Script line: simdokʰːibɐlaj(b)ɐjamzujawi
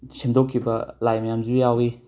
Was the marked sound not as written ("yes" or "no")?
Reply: yes